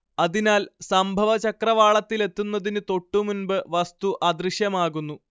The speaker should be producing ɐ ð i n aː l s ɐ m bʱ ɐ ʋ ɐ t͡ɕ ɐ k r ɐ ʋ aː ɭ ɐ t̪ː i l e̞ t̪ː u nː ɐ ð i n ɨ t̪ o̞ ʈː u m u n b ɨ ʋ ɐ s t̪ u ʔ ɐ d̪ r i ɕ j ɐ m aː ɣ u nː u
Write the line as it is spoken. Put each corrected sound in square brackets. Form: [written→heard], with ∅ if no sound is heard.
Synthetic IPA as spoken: ɐ ð i n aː l s ɐ m bʱ ɐ ʋ ɐ t͡ɕ ɐ k r ɐ ʋ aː ɭ ɐ t̪ː i l e̞ t̪ː u nː ɐ ð i n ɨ t̪ o̞ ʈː u m u n b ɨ ʋ ɐ s t̪ u ʔ ɐ d̪ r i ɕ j ɐ m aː ɣ u nː u